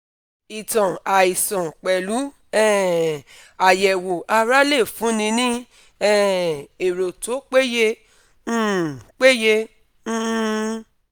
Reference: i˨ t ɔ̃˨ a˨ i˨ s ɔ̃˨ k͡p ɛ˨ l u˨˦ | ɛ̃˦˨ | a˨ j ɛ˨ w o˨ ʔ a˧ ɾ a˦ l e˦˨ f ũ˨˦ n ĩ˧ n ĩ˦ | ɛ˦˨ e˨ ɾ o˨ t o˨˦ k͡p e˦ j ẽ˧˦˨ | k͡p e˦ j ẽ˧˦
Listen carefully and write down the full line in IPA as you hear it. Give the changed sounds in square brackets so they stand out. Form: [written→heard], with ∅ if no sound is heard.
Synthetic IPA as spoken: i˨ t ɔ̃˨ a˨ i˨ s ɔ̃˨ k͡p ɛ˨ l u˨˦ | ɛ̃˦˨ | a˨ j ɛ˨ w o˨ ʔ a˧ ɾ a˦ l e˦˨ f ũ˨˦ n ĩ˧ n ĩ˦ | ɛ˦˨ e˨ ɾ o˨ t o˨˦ k͡p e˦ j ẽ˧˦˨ | k͡p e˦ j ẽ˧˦

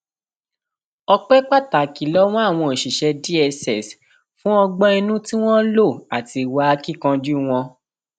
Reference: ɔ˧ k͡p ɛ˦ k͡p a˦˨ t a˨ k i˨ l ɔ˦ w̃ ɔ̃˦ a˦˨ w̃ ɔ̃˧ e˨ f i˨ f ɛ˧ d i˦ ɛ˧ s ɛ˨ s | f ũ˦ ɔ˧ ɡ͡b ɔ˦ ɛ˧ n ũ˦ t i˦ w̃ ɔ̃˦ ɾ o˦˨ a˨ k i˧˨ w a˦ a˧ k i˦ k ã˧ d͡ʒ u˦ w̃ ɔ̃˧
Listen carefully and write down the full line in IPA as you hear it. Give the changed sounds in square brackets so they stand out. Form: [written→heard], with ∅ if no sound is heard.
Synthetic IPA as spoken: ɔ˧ k͡p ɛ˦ k͡p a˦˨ t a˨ k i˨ l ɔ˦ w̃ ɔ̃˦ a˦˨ w̃ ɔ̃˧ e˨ [f→ʃ] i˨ [f→ʃ] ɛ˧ d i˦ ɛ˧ s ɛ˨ s | f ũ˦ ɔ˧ ɡ͡b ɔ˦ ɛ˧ n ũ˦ t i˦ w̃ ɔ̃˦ [ɾ→l] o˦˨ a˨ [k→t] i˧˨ w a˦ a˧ k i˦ k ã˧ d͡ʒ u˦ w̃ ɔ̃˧

